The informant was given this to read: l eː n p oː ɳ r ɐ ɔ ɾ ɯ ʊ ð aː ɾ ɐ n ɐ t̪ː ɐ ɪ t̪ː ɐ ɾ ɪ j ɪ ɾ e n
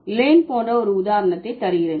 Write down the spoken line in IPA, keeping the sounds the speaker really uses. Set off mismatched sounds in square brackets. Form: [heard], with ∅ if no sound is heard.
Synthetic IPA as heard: l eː n p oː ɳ r ɐ ɔ ɾ ɯ ʊ ð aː ɾ ɐ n ɐ t̪ː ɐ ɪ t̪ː ɐ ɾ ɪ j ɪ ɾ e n